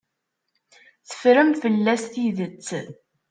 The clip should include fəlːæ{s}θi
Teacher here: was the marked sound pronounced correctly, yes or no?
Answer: yes